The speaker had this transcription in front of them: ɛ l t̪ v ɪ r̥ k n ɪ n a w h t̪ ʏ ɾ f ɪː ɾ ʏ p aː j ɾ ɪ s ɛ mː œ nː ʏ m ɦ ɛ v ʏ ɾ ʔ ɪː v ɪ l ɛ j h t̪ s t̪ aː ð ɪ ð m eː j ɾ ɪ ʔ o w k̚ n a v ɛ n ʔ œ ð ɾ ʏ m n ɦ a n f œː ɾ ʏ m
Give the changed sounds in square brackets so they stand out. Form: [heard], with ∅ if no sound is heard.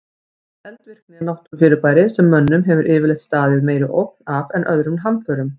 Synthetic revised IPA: ɛ l t̪ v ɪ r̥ k n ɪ n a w h t̪ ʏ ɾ f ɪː ɾ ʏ p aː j ɾ ɪ s ɛ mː œ nː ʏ m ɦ ɛ v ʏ ɾ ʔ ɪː v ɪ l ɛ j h t̪ s t̪ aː ð ɪ ð m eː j ɾ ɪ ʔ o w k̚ n a v ɛ n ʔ œ ð ɾ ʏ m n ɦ a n f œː ɾ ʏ m